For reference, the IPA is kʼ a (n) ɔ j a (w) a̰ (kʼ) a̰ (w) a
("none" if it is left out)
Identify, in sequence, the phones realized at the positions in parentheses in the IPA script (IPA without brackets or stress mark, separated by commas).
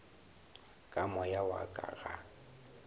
m, w, kʼ, ɣ